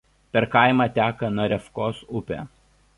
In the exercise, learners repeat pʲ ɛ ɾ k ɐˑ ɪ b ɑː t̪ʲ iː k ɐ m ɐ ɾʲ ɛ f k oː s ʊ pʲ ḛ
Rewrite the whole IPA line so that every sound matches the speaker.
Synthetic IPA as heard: pʲ ɛ ɾ k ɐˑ ɪ m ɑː t̪ʲ æː k ɐ n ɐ ɾʲ ɛ f k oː s ʊ pʲ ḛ